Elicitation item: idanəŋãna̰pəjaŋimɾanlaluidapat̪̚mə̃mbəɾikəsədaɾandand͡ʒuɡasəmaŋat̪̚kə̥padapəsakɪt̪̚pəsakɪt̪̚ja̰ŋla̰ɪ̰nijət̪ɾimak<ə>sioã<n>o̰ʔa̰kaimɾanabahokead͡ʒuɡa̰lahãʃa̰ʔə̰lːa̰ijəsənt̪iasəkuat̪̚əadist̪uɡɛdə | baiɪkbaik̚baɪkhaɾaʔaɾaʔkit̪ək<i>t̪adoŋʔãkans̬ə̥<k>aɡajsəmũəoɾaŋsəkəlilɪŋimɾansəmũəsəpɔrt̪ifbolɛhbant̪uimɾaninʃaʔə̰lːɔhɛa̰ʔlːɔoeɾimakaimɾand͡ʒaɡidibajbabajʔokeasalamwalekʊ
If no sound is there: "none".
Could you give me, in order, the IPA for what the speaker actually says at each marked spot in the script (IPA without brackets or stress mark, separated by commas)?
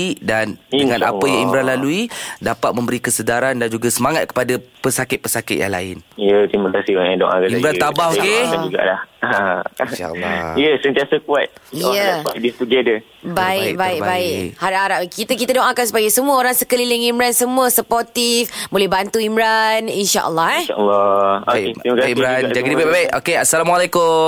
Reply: a, d, i, p